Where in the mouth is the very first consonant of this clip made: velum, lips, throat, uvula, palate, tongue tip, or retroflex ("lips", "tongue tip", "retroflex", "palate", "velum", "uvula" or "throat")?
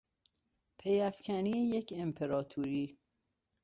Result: lips